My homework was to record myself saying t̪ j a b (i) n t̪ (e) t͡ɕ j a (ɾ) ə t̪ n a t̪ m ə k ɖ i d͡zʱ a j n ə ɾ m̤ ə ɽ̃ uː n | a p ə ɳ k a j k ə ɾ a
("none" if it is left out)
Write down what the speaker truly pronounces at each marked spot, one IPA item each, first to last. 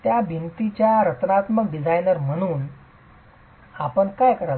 i, i, ɾ

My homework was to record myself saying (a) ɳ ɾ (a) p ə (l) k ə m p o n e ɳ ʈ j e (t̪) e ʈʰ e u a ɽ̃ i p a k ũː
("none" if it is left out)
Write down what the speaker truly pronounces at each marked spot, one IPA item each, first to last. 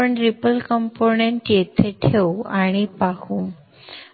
ə, i, l, t̪ʰ

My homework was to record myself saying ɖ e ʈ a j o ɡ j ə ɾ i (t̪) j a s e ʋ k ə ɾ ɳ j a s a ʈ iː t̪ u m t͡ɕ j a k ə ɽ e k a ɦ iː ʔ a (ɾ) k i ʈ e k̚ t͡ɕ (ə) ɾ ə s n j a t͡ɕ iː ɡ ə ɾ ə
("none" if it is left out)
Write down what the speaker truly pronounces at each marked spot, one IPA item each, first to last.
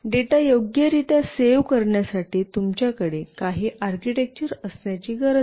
t̪, ɾ, ə

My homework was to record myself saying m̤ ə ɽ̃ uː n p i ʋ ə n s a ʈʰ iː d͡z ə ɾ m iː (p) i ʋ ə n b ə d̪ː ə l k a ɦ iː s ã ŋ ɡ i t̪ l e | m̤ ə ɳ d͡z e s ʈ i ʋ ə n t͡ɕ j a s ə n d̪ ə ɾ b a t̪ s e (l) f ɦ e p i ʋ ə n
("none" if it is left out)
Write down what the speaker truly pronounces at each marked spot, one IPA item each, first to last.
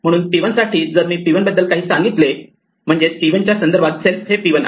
p, l

